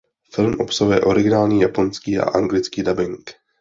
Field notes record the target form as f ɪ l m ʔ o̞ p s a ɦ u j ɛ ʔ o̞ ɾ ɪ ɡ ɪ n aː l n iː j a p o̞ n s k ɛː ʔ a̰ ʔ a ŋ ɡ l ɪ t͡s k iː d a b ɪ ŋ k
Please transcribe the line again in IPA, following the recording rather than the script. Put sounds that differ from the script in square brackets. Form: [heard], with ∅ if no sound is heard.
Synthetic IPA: f ɪ l m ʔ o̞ p s a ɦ u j ɛ ʔ o̞ ɾ ɪ ɡ ɪ n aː l [ɲ] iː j a p o̞ n s k [iː] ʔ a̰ ʔ a ŋ ɡ l ɪ t͡s k iː d a b ɪ ŋ k